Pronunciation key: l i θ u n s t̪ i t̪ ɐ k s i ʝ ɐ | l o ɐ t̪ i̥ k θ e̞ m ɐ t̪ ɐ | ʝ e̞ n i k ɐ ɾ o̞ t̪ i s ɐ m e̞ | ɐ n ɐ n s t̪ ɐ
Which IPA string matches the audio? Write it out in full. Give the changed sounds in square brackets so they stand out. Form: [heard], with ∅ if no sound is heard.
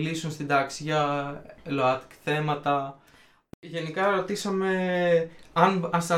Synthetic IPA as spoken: l i [s] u n s t̪ i [d̪] ɐ k s i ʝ ɐ | l o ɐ t̪ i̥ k θ e̞ m ɐ t̪ ɐ | ʝ e̞ n i k ɐ ɾ o̞ t̪ i s ɐ m e̞ | ɐ n ɐ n s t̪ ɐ